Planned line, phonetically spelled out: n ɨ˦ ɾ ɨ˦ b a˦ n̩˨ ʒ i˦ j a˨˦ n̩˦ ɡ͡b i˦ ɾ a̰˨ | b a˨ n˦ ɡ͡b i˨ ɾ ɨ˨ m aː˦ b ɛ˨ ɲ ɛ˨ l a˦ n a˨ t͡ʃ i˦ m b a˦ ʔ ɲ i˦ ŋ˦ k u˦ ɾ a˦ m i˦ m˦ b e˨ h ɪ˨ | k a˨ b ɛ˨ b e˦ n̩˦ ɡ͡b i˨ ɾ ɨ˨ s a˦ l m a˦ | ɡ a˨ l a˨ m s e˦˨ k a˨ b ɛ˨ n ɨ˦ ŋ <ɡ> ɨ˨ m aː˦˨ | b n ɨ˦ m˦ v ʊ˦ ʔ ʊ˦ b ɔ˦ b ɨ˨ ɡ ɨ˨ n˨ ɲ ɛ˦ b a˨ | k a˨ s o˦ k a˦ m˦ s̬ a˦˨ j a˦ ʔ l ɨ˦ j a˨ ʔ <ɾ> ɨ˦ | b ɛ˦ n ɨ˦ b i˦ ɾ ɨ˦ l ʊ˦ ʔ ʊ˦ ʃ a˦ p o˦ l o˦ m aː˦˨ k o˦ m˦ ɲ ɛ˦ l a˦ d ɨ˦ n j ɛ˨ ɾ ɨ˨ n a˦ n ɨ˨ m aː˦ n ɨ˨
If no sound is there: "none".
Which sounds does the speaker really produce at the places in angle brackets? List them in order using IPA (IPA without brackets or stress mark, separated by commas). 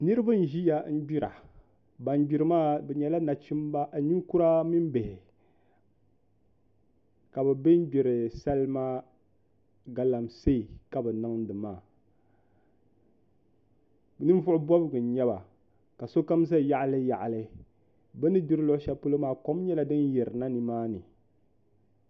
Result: d, l